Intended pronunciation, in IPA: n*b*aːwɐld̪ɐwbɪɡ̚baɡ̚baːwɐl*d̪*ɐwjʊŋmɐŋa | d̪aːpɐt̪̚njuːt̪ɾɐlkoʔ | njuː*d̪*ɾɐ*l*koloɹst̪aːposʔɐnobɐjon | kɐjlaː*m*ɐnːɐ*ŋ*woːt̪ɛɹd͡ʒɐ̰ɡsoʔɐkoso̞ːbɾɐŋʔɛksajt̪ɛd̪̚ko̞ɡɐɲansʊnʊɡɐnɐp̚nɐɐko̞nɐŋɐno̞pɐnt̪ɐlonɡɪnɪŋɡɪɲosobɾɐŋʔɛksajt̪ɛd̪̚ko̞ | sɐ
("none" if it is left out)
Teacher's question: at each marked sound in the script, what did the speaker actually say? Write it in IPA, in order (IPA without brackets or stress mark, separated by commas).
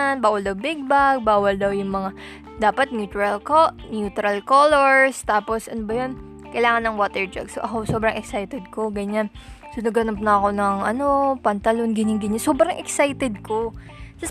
b, d̪, t̪, l, ŋ, ŋ